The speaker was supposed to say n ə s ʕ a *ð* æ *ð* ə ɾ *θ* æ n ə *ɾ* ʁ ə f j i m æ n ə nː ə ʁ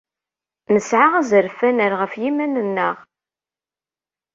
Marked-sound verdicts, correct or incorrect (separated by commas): incorrect, incorrect, incorrect, correct